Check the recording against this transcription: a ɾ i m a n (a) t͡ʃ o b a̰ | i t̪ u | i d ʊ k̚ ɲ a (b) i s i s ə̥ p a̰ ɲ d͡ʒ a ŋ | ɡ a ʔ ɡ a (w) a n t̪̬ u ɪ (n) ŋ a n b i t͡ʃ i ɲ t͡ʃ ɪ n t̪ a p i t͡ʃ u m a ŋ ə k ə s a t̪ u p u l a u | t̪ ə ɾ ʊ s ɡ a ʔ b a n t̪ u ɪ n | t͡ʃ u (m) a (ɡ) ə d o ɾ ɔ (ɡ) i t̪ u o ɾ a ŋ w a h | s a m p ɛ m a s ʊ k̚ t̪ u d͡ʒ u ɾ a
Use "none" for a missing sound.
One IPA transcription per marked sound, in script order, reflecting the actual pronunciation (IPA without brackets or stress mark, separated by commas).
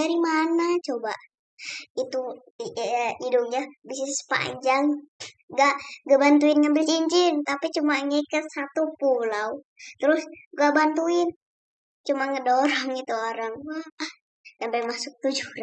a, b, b, n, m, ŋ, ŋ